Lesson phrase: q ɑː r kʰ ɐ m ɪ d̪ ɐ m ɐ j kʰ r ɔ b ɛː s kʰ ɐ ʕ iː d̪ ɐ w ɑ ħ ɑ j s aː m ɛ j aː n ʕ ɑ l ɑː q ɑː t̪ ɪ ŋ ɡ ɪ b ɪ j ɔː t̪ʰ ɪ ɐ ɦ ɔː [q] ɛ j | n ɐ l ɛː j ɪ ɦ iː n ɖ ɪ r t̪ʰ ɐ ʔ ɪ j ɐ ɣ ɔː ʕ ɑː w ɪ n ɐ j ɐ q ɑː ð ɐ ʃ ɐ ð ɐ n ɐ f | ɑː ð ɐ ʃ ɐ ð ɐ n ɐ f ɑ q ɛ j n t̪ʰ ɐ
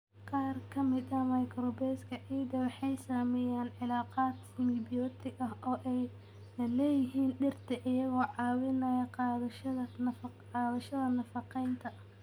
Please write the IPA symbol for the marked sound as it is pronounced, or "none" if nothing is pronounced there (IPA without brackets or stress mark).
ʔ